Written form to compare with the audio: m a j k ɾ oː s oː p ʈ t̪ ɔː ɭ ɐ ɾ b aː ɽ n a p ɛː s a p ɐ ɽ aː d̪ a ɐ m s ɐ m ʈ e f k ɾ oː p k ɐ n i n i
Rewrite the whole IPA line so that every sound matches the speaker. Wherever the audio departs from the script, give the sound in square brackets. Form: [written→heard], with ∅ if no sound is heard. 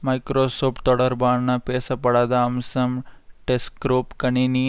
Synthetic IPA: m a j k ɾ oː s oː p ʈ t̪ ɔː [ɭ→ɽ] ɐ ɾ b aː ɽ n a p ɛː s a p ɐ ɽ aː d̪ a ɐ m s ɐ m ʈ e [f→s] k ɾ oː p k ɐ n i n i